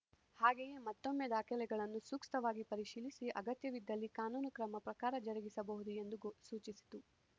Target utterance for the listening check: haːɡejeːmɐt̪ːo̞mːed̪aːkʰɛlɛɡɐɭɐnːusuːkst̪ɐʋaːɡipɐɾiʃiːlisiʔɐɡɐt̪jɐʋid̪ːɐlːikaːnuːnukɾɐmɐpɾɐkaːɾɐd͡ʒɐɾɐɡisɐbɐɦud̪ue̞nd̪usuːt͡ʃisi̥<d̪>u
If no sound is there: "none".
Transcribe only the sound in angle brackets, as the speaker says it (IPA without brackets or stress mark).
t̪